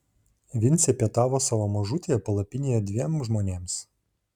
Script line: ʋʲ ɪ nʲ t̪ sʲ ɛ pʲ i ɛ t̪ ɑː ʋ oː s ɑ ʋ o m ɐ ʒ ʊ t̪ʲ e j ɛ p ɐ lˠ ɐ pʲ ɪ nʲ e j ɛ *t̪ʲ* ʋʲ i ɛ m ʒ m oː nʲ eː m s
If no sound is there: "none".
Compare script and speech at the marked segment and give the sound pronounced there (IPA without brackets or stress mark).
d̪ʲ